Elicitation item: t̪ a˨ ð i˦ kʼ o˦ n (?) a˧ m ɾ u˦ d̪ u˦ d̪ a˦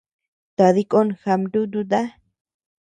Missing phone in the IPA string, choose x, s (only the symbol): x